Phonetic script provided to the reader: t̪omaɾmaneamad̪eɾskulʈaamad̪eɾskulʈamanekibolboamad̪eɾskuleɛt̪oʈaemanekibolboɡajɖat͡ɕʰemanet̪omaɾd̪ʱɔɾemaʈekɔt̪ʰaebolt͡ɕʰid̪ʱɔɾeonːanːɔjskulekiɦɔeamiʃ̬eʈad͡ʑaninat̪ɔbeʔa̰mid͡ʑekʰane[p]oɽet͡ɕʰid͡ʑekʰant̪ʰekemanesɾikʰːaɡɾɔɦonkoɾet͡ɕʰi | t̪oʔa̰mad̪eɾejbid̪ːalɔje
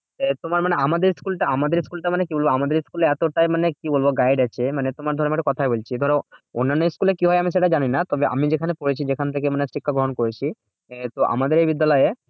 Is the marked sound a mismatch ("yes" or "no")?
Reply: no